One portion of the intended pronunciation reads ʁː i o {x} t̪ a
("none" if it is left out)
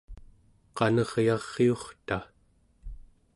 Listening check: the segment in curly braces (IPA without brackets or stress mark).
χ